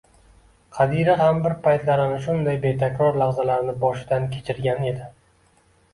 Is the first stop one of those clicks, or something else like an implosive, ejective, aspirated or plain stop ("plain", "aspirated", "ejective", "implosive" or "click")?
aspirated